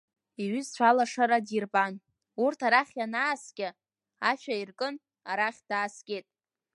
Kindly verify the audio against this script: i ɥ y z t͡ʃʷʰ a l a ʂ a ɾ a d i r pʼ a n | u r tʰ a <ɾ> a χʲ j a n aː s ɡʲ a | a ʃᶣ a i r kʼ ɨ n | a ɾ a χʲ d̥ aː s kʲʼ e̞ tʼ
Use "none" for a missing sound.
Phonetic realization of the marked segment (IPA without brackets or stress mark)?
ɾ